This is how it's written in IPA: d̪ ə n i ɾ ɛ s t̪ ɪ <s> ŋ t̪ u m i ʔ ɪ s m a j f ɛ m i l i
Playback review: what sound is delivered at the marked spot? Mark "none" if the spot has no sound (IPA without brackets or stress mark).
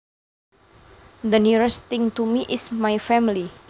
none